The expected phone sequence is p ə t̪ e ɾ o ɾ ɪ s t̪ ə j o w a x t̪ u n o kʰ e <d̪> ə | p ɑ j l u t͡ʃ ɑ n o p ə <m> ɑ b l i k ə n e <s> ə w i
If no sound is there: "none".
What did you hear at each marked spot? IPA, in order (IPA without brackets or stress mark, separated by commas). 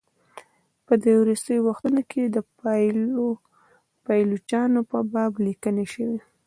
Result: d̪, b, ʃ